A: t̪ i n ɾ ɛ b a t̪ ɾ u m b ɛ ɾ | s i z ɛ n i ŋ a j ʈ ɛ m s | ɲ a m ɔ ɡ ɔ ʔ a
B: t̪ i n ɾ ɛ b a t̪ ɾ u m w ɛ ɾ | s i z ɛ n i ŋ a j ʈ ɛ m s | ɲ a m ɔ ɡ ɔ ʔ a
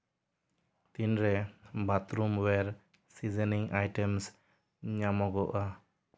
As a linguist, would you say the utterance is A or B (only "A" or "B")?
B